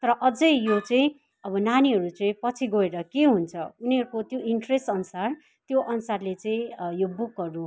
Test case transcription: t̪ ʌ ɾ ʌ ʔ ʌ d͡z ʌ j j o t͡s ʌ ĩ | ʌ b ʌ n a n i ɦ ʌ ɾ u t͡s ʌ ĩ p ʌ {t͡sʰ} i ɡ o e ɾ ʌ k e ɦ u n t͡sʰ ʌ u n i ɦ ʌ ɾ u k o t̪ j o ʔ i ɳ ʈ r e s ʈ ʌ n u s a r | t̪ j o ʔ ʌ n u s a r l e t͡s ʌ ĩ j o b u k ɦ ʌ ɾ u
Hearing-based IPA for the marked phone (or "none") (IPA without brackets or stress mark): t͡sʰ